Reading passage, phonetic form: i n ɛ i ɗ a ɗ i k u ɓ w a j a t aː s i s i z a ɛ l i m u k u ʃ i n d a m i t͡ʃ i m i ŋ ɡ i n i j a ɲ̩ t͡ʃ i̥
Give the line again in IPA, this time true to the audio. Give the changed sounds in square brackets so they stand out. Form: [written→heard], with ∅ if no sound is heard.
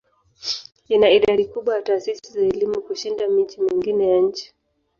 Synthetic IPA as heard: i n [ɛ→a] i ɗ a ɗ i k u ɓ w a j a t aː s i s i z a ɛ l i m u k u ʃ i n d a m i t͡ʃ i m i ŋ ɡ i n [i→ɛ] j a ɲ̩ t͡ʃ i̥

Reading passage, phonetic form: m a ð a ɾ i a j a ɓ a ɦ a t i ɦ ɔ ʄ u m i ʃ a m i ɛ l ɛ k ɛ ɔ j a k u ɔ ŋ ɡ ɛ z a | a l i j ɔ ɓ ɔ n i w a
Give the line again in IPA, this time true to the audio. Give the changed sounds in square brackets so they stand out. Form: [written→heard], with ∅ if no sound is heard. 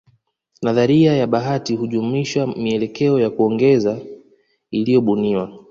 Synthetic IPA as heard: [m→n] a ð a ɾ i a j a ɓ a ɦ a t i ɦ [ɔ→u] ʄ u m i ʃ a m i ɛ l ɛ k ɛ ɔ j a k u ɔ ŋ ɡ ɛ z a | [a→i] l i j ɔ ɓ [ɔ→u] n i w a

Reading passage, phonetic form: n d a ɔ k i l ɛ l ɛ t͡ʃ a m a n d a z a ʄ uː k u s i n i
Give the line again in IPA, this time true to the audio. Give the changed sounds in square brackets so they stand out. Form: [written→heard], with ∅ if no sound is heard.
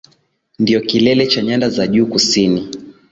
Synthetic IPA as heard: n d [a→i] ɔ k i l ɛ l ɛ t͡ʃ a [m→ɲ] a n d a z a ʄ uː k u s i n i

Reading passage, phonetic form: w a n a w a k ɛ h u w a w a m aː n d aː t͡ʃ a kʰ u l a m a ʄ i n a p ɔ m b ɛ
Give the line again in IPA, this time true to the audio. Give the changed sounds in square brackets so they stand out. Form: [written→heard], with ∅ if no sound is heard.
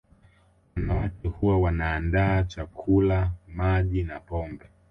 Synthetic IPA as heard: w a n a w a k ɛ h u w a w a [m→n] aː n d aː t͡ʃ a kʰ u l a m a ʄ i n a p ɔ m b ɛ

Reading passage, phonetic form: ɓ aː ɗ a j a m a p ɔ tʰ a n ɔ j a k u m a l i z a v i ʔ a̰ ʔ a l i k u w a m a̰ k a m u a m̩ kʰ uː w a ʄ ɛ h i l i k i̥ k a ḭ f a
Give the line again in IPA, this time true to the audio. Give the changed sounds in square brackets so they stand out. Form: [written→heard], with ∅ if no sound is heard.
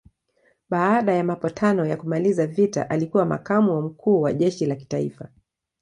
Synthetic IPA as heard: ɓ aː ɗ a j a m a p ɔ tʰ a n ɔ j a k u m a l i z a v i [ʔ→t] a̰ ʔ a l i k u w a m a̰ k a m u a m̩ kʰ uː w a ʄ ɛ [h→ʃ] i l [i→a] k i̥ [k→t] a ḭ f a

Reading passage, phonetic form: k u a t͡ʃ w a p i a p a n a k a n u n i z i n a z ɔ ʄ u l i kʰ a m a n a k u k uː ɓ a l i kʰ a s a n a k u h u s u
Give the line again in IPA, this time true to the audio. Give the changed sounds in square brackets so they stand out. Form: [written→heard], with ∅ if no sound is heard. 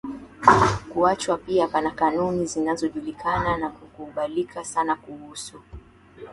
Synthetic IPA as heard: k u a t͡ʃ w a p i a p a n a k a n u n i z i n a z ɔ ʄ u l i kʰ a [m→n] a n a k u k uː ɓ a l i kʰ a s a n a k u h u s u

